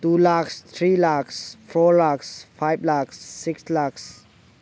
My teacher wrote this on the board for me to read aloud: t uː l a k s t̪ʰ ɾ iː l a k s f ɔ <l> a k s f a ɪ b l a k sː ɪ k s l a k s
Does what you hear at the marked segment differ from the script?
no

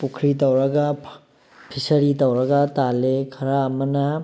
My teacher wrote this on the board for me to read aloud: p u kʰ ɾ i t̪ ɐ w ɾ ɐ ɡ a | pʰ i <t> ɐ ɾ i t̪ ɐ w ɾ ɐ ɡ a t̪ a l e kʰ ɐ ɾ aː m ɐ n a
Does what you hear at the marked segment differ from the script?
yes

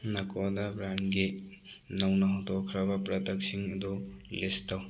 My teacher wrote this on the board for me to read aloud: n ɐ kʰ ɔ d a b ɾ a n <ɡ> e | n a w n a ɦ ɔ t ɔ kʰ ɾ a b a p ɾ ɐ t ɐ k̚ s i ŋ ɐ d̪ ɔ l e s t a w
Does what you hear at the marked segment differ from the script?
no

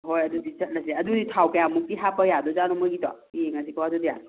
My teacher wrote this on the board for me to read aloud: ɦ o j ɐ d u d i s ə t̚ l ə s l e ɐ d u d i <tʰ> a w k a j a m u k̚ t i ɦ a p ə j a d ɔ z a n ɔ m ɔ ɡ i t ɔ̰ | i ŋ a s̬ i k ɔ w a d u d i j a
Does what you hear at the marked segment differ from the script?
no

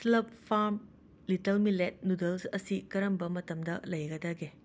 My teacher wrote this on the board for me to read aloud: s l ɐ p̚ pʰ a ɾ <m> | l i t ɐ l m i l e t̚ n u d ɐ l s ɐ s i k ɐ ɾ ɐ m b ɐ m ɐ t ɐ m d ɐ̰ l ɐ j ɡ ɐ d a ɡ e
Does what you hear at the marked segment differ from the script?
no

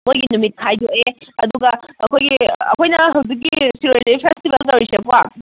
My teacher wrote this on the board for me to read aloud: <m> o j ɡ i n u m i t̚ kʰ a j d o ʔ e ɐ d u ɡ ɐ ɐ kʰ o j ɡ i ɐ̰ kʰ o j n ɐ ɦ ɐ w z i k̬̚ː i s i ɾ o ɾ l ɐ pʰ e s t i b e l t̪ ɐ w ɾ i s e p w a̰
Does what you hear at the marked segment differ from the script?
no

